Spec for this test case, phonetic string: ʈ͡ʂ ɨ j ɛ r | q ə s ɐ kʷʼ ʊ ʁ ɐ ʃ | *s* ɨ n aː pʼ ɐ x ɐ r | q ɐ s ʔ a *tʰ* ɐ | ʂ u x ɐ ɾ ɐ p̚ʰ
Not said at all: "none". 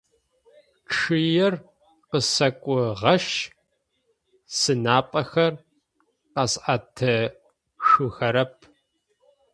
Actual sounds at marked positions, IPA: s, tʰ

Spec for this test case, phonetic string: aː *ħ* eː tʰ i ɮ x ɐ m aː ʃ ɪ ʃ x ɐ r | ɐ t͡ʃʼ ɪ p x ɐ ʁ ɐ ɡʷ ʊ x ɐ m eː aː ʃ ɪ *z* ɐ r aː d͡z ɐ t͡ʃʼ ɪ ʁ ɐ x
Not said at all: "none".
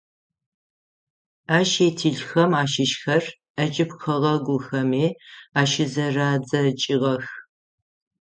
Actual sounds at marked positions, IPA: ʃ, z

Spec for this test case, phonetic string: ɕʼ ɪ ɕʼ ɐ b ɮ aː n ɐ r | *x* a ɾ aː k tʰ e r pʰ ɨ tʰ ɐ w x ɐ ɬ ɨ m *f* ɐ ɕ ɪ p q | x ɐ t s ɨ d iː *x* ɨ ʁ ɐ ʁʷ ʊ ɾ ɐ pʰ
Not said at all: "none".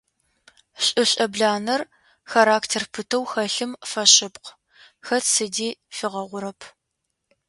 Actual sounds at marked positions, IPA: x, f, f

